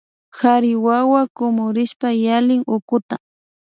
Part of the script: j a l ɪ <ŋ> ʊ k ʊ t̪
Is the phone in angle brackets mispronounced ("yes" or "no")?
no